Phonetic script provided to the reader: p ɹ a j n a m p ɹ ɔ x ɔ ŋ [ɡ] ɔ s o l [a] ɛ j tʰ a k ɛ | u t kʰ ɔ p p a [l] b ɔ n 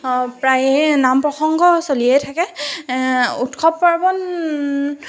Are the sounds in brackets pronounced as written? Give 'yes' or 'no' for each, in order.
yes, no, no

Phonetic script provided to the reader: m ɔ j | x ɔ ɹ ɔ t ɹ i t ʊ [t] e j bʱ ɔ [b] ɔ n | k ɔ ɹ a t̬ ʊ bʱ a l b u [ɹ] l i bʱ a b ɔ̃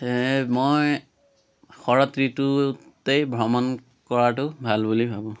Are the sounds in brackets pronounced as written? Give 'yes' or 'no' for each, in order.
yes, no, no

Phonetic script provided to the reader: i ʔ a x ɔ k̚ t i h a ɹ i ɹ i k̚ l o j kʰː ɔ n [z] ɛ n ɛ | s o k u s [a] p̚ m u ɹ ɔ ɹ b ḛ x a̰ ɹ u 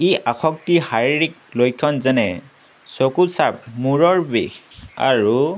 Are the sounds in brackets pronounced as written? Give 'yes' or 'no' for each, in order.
yes, yes

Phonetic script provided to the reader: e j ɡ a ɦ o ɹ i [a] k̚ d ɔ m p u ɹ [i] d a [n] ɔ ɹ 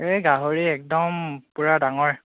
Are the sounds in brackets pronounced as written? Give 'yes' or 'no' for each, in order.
no, no, no

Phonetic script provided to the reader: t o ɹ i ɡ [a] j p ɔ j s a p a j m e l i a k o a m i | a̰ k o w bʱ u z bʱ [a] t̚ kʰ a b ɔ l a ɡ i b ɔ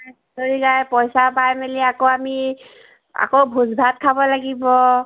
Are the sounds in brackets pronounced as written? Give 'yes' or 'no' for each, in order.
yes, yes

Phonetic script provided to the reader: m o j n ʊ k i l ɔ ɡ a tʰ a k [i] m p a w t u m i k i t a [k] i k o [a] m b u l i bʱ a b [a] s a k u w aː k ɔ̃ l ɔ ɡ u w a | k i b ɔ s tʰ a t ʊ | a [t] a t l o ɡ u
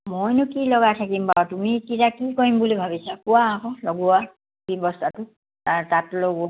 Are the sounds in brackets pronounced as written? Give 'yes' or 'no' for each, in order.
yes, yes, no, no, yes

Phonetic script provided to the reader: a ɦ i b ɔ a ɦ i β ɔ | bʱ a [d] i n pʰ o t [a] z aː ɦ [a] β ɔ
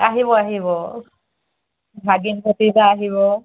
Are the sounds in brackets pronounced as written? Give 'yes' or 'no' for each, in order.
no, no, no

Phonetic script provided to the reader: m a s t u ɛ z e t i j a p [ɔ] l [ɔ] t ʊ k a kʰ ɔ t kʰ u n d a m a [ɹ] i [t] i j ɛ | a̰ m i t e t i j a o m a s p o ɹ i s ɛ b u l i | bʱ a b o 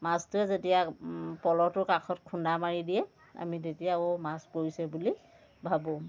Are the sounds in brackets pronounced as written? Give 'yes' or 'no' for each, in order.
yes, yes, yes, no

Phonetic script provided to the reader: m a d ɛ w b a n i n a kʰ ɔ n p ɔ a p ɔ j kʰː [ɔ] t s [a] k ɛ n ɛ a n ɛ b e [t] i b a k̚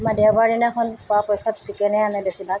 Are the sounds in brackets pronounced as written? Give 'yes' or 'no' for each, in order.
yes, no, no

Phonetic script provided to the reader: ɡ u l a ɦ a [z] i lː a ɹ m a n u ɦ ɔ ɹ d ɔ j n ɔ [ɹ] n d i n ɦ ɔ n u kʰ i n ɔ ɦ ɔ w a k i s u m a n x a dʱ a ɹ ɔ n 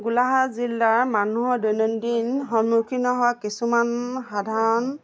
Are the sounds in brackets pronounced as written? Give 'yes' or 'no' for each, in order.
yes, no

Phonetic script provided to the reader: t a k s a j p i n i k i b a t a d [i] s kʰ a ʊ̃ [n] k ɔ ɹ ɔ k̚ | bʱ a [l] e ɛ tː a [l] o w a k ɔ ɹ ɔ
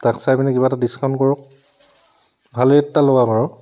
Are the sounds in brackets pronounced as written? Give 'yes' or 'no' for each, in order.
yes, yes, yes, yes

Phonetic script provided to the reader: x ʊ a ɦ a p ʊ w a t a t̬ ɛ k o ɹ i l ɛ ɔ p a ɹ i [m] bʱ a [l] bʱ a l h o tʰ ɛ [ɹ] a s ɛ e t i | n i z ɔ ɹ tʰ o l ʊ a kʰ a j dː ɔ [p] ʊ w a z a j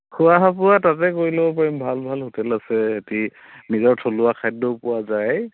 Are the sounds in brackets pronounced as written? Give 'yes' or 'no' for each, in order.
yes, yes, no, yes

